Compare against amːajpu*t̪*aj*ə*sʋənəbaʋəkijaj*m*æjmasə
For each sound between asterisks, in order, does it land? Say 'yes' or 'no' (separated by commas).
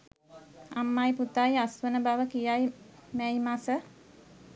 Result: yes, no, yes